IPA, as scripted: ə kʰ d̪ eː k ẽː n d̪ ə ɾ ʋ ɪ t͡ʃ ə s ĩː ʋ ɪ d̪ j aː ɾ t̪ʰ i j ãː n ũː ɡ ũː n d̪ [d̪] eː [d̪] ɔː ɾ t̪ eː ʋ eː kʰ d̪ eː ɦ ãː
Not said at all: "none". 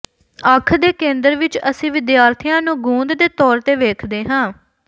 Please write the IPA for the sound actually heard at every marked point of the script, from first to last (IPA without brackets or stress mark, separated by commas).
d̪, t̪